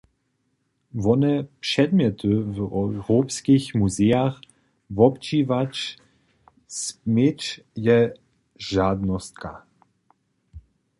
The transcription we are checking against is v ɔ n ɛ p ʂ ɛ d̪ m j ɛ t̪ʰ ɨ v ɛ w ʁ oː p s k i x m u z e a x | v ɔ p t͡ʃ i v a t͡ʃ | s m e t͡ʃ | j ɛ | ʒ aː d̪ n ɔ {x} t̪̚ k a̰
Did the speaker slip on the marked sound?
yes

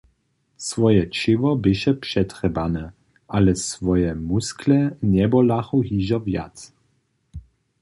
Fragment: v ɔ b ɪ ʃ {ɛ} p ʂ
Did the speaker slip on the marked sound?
no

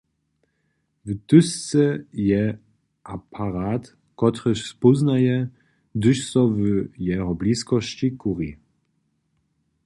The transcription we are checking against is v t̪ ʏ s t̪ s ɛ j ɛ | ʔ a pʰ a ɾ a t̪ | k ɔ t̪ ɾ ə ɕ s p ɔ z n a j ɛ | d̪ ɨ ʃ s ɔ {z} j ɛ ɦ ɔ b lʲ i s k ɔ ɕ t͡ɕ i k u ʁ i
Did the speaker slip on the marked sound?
yes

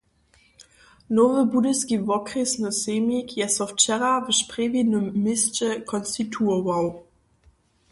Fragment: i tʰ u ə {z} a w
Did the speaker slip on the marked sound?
yes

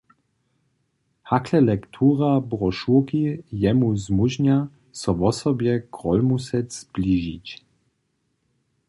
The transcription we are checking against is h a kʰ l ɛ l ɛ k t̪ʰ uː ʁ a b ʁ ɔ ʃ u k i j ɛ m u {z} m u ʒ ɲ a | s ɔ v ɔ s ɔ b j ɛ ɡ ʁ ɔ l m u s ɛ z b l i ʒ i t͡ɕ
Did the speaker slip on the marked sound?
no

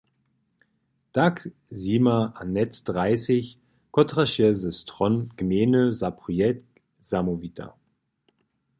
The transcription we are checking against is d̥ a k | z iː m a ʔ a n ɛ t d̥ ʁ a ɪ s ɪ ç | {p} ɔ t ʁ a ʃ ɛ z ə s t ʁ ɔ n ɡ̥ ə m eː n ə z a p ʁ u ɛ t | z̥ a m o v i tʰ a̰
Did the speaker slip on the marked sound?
yes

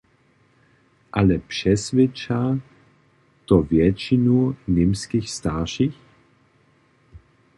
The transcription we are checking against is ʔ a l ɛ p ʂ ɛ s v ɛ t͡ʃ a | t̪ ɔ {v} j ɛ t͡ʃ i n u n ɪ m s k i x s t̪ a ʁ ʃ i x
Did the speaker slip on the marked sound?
no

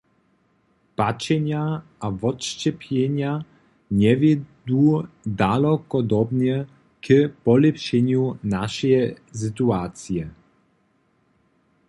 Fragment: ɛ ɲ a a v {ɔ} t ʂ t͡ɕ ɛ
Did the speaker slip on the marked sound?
no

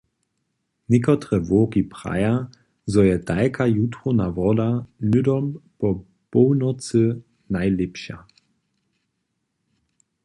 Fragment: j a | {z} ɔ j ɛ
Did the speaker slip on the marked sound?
no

